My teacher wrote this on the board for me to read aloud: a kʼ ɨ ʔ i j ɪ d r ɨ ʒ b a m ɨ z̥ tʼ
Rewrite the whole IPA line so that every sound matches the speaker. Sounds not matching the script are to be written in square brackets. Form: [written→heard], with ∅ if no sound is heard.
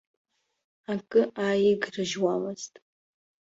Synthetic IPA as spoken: a kʼ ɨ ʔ [i→a] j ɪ [d→ɡ] r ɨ ʒ [b→w] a m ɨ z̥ tʼ